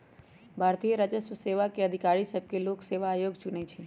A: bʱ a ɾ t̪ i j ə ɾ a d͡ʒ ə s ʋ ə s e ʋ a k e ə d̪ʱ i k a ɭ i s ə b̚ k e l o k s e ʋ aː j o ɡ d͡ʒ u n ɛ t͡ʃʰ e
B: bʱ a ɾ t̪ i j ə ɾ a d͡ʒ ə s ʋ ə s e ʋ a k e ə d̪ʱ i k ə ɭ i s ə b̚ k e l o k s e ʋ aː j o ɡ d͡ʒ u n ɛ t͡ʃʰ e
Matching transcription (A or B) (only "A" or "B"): A